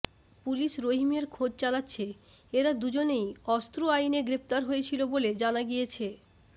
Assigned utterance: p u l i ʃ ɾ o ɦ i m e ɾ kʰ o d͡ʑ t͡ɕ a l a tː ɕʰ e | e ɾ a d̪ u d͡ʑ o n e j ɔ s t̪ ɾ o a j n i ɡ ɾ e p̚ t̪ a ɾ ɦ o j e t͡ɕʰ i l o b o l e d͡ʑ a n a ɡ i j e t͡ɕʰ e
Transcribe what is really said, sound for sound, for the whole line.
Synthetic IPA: p u l i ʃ ɾ o ɦ i m e ɾ kʰ o d͡ʑ t͡ɕ a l a tː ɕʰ e | e ɾ a d̪ u d͡ʑ o n e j ɔ s t̪ ɾ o a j n e ɡ ɾ e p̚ t̪ a ɾ ɦ o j e t͡ɕʰ i l o b o l e d͡ʑ a n a ɡ i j e t͡ɕʰ e